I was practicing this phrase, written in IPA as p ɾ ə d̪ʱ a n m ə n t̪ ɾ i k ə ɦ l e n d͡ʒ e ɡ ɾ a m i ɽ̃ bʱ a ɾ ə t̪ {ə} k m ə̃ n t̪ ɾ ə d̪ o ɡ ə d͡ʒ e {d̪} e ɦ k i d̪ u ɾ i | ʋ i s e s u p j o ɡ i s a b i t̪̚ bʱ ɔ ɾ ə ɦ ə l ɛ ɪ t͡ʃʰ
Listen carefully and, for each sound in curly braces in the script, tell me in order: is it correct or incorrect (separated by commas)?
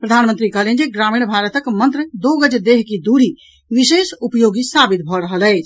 correct, correct